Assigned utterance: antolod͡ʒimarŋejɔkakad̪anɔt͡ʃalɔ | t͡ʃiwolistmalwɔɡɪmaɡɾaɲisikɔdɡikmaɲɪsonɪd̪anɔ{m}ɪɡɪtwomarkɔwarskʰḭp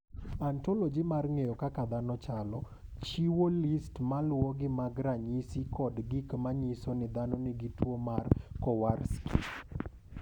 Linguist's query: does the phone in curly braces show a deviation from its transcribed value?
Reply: yes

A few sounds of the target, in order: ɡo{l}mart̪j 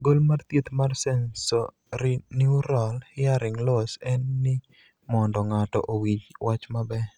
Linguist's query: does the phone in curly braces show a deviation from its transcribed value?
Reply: no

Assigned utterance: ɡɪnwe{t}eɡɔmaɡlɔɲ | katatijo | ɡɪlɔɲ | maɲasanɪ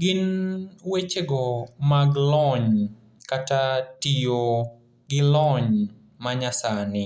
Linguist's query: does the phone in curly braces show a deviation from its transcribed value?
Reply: yes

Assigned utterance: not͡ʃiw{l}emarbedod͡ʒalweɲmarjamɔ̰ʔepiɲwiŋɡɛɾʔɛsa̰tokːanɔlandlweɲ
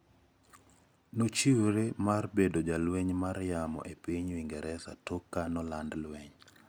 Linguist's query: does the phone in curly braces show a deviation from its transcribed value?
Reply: yes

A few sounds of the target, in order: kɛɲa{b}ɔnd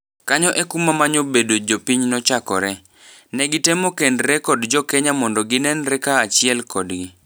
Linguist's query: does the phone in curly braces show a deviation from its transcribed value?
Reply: yes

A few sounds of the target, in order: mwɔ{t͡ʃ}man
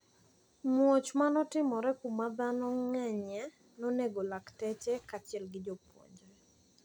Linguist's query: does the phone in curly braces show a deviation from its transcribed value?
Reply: no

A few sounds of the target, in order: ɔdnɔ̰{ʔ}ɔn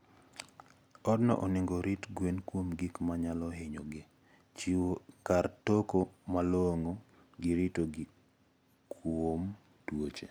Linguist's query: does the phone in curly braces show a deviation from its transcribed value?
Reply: no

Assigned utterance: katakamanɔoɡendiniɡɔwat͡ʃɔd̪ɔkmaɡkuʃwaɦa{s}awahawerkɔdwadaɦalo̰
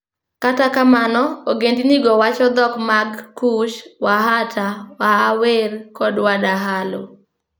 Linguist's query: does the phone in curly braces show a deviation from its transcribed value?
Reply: yes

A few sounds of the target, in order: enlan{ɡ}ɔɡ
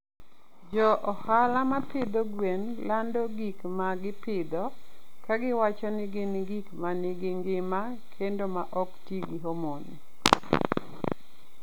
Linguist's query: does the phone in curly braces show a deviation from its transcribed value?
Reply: yes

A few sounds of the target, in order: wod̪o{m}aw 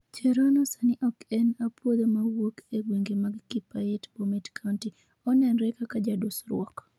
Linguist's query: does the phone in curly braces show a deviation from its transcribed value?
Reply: no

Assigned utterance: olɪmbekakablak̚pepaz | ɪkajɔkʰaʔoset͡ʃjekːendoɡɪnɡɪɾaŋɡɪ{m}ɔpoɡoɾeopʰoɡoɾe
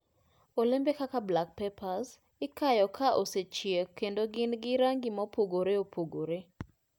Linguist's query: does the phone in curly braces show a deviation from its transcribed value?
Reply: no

